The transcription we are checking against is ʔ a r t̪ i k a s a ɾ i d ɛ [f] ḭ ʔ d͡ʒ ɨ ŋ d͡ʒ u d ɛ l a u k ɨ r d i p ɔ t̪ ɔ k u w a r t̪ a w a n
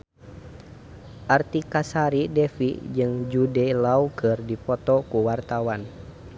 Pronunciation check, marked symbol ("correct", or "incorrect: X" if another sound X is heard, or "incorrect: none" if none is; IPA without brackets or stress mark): correct